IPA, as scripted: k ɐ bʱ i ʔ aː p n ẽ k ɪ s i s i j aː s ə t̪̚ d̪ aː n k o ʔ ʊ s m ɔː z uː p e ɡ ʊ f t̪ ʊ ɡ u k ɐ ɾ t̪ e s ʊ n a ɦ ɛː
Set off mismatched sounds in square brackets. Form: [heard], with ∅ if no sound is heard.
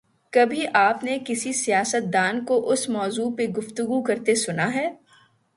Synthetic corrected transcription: k ɐ bʱ i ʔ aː p n [e] k ɪ s i s i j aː s ə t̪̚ d̪ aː n k o ʔ ʊ s m ɔː z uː p e ɡ ʊ f t̪ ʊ ɡ u k ɐ ɾ t̪ e s ʊ n a ɦ ɛː